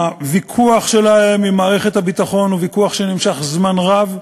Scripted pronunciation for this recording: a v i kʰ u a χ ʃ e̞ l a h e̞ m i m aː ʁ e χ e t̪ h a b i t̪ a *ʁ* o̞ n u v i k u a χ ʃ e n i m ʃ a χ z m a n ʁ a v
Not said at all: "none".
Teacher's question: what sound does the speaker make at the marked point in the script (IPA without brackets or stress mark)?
χ